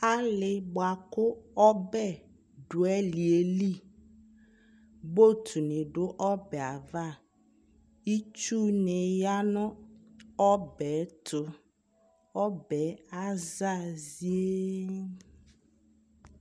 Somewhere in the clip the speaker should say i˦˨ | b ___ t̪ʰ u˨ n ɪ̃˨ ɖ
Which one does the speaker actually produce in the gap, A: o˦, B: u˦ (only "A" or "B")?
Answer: A